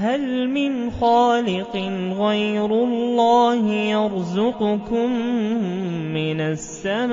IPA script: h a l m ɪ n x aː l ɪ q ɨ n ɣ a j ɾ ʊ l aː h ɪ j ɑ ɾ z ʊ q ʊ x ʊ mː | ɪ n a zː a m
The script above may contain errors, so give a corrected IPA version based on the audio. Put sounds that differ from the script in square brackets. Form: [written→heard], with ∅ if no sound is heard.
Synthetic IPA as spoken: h a l m ɪ n x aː l ɪ q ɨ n ɣ a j ɾ ʊ [l→lː] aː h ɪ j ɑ ɾ z ʊ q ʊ [x→k] ʊ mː | ɪ n a [zː→sː] a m